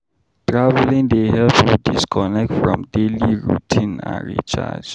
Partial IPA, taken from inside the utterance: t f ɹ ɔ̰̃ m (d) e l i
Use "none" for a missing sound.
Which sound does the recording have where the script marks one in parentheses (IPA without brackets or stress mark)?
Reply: d